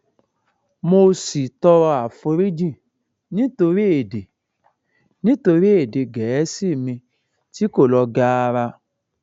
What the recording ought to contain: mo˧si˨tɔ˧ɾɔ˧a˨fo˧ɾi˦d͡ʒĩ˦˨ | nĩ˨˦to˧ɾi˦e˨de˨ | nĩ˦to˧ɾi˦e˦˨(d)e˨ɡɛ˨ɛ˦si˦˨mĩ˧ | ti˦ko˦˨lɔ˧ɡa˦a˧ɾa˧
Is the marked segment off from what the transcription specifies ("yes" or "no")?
no